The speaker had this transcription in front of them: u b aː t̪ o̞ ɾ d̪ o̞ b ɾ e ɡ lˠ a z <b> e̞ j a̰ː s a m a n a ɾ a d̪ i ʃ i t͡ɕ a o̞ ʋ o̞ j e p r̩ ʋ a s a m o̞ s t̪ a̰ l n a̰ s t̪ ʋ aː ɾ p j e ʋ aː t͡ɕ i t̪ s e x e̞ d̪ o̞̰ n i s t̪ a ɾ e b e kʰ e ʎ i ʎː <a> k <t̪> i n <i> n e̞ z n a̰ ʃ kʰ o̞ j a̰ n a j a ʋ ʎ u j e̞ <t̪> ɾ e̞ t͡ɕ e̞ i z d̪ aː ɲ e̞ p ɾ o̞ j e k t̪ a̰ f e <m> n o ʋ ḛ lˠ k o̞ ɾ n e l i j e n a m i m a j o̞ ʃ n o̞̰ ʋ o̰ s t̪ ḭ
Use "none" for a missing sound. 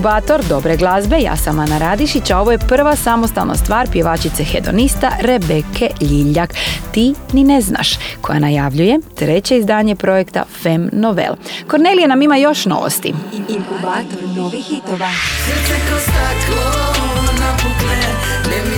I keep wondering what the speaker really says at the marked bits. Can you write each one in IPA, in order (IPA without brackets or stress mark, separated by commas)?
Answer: b, a, t̪, i, t̪, m